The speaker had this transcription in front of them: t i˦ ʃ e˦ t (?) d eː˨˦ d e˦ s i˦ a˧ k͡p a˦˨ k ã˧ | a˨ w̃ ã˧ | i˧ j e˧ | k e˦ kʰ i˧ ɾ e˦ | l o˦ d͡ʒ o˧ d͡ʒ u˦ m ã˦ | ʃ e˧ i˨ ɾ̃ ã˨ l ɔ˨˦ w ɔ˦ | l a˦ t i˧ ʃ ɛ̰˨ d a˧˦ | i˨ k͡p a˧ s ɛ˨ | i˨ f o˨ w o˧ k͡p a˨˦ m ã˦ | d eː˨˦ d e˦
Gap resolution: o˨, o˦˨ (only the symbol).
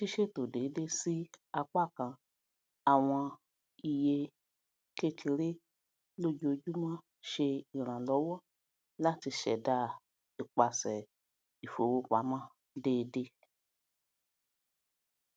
o˨